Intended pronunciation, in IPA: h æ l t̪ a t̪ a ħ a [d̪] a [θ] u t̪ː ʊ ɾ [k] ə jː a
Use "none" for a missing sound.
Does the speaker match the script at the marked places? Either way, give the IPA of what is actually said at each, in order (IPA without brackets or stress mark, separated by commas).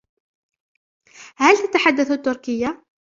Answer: d̪ː, θ, k